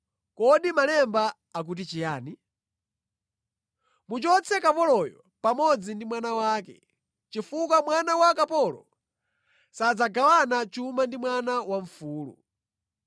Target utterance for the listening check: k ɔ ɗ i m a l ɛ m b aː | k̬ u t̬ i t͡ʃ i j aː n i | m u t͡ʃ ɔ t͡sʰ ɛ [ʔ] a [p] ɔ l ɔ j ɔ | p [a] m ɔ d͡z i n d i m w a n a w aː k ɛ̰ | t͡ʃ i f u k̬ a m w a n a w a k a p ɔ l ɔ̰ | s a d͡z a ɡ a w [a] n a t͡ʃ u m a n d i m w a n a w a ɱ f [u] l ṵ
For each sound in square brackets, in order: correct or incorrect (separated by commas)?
incorrect, correct, correct, correct, incorrect